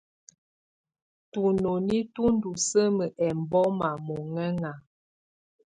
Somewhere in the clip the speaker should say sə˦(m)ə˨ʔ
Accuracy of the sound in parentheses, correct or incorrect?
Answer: correct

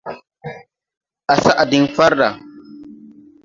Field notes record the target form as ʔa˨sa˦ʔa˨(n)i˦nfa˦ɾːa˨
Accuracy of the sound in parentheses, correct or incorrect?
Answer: incorrect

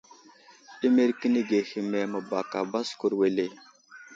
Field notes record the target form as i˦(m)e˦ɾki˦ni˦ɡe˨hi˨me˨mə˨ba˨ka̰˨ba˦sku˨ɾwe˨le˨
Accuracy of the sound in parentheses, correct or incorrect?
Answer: correct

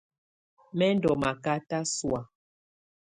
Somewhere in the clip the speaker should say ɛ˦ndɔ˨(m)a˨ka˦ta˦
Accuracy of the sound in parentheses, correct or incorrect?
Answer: correct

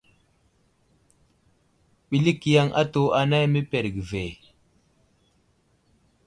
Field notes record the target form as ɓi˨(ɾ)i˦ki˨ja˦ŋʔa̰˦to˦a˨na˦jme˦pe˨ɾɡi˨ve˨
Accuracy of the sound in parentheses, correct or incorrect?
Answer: incorrect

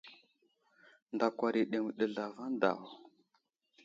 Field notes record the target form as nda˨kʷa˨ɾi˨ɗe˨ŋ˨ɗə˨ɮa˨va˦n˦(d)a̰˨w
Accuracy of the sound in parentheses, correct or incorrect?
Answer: correct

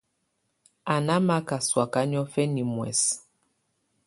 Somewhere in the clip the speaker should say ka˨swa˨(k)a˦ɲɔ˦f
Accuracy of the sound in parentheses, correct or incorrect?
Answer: correct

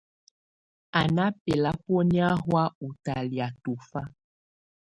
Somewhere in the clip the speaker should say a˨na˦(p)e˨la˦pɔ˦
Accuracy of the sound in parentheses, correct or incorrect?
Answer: correct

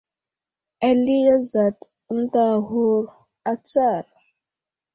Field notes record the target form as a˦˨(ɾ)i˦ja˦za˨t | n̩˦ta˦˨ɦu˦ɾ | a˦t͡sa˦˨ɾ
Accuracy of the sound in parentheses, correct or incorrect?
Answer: incorrect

